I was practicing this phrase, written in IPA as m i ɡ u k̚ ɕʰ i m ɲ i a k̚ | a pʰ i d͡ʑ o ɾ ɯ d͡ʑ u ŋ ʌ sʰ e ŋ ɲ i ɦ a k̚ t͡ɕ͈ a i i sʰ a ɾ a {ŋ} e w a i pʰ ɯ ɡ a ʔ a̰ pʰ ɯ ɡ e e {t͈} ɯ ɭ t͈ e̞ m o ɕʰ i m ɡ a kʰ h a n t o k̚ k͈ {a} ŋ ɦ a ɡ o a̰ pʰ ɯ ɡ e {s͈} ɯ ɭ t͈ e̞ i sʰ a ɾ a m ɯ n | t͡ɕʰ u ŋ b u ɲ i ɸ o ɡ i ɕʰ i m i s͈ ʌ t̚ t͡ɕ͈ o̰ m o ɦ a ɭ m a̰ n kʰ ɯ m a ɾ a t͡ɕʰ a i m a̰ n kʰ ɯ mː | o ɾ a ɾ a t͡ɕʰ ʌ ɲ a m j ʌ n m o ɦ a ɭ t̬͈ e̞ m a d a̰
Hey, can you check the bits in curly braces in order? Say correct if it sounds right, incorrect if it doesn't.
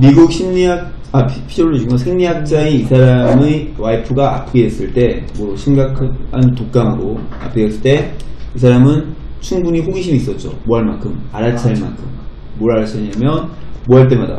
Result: incorrect: m, incorrect: s͈, correct, correct

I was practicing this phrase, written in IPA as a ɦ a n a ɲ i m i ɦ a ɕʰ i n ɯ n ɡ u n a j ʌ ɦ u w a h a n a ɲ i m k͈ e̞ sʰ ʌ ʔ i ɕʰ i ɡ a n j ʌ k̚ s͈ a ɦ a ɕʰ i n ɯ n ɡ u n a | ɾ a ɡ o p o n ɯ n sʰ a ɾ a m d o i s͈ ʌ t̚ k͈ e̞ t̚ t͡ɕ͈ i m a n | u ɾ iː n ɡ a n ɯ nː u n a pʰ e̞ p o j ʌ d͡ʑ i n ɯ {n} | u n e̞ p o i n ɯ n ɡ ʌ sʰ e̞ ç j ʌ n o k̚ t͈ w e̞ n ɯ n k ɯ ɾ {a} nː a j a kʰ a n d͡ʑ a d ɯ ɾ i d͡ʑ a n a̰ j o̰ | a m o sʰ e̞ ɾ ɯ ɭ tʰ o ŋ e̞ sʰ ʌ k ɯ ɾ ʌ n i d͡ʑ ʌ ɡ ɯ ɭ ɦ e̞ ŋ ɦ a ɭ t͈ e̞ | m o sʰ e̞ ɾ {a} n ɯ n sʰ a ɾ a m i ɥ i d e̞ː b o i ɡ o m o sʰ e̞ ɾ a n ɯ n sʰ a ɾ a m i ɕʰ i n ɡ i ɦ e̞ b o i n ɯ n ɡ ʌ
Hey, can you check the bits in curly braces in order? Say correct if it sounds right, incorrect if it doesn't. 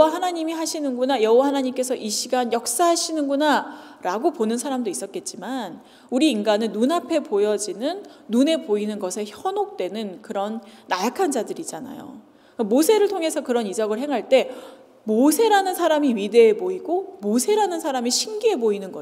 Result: incorrect: nː, incorrect: ʌ, correct

